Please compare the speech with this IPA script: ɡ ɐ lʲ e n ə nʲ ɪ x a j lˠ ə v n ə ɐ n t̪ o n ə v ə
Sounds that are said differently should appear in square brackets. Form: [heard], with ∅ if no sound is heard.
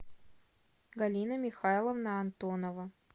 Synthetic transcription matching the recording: ɡ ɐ lʲ [i] n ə [mʲ] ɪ x a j lˠ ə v n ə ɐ n t̪ o n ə v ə